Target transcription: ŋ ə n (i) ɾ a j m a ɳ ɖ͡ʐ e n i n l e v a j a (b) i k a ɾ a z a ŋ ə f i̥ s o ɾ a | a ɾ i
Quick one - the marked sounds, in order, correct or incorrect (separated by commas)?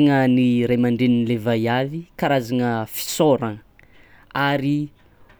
correct, incorrect